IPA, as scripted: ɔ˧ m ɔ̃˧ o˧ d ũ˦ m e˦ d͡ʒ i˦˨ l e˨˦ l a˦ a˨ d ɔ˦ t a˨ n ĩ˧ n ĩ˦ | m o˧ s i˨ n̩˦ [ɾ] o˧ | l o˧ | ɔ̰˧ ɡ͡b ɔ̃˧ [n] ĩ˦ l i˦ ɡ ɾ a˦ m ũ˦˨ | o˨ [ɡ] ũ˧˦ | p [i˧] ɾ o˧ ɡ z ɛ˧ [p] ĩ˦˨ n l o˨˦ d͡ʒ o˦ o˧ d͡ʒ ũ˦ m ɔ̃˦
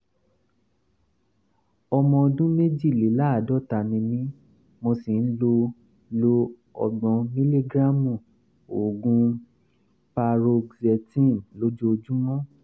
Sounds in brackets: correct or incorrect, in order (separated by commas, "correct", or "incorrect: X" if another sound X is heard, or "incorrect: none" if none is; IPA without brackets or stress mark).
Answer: incorrect: l, incorrect: m, correct, incorrect: a˧, incorrect: t